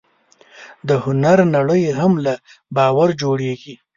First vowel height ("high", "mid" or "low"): mid